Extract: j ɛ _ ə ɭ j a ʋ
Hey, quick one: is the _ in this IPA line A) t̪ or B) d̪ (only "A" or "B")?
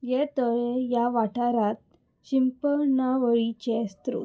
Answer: A